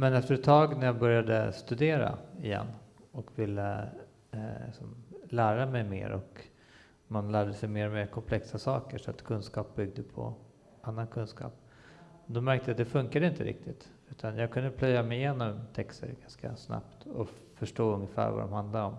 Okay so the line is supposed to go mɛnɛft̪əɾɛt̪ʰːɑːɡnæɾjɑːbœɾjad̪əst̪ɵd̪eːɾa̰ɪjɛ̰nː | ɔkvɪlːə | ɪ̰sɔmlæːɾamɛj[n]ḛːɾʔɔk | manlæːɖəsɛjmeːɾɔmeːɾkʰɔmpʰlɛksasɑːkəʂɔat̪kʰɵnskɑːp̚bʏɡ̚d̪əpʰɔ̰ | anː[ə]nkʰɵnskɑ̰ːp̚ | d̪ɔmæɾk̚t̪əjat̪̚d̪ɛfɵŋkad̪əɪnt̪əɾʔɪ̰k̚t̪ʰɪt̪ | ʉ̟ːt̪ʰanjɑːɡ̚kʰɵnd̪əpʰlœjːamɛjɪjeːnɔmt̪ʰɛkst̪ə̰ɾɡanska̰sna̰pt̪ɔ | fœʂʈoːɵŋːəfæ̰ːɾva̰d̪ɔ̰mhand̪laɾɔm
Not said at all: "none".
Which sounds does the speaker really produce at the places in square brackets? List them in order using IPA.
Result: m, a

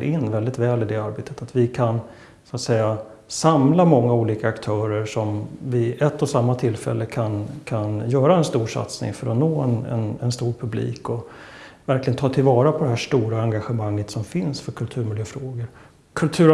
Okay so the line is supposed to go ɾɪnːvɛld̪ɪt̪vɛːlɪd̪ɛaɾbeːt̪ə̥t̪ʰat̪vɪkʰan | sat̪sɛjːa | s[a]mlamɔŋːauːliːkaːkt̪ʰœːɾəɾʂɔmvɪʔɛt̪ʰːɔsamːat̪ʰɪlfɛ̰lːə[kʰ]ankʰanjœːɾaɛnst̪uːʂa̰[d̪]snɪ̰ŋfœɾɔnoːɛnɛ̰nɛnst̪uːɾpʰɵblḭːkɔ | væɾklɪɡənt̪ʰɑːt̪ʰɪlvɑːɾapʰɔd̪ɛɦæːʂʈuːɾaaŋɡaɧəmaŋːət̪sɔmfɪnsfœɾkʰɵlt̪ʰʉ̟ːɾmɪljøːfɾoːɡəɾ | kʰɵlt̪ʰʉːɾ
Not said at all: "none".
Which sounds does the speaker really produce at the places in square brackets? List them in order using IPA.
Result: a, kʰ, t̪

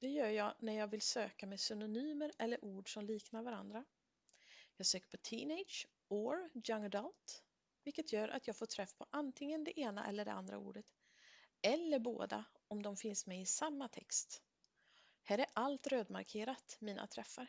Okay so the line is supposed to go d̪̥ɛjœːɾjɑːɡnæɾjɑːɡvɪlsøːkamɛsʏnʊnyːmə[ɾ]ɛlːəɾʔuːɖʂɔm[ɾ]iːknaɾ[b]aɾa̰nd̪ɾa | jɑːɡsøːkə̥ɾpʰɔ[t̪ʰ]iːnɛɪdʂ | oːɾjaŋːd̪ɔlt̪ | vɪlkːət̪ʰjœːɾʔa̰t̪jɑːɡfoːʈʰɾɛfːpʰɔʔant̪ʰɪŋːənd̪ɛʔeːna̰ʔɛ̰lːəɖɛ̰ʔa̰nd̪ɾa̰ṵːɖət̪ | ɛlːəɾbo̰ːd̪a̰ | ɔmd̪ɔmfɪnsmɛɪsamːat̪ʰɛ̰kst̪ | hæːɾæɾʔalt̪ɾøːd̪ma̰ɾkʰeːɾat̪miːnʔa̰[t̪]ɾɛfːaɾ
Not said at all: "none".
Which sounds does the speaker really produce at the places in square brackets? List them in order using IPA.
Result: ɾ, l, v, t̪ʰ, t̪ʰ

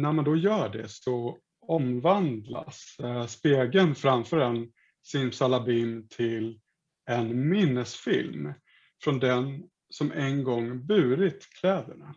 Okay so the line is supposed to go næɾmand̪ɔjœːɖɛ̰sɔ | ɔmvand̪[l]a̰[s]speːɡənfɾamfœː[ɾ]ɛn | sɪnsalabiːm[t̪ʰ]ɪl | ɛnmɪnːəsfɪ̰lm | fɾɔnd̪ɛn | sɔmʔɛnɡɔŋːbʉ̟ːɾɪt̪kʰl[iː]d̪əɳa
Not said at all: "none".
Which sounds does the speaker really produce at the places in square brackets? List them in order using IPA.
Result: l, s, ɾ, t̪ʰ, ɛː

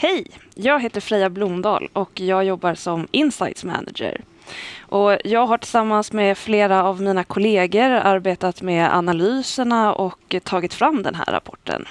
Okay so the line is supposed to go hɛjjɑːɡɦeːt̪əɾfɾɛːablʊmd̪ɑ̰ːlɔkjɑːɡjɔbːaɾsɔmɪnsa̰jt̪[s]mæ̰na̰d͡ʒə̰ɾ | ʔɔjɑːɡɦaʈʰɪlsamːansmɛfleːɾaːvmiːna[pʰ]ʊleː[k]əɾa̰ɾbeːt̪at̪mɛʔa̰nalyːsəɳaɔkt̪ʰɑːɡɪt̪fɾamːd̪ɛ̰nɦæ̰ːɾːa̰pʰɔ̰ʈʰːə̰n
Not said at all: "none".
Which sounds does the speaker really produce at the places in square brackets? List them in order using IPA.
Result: s, kʰ, ɡ

